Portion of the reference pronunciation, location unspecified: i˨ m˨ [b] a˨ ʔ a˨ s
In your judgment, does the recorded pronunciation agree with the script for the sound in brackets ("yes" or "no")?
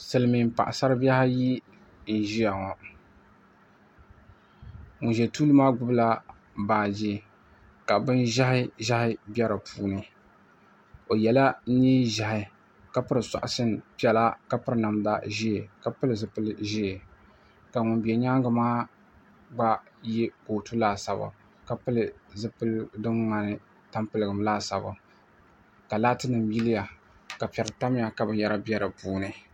no